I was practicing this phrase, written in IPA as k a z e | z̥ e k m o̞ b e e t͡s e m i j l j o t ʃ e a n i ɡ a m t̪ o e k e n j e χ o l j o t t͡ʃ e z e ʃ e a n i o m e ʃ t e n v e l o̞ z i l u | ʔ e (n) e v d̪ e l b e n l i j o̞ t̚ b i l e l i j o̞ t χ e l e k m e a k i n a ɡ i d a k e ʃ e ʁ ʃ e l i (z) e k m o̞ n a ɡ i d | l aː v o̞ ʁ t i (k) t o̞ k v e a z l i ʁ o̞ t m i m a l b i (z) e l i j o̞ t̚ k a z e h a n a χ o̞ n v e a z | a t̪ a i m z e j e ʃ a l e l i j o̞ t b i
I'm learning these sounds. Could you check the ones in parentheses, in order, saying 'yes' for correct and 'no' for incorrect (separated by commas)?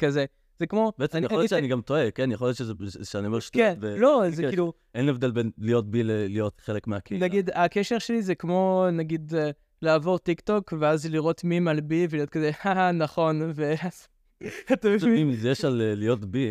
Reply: yes, yes, yes, no